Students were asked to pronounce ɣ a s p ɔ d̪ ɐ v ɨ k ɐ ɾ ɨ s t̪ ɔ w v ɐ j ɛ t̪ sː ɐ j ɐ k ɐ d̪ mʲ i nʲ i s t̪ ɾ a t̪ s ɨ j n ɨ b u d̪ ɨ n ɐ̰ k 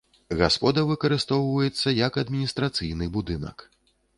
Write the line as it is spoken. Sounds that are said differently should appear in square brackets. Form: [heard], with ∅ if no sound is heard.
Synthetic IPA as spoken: ɣ a s p ɔ d̪ ɐ v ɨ k ɐ ɾ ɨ s t̪ ɔ w v ɐ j ɛ t̪ sː ɐ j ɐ k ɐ d̪ mʲ i nʲ i s t̪ ɾ a t̪ s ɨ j n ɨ b u d̪ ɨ n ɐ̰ k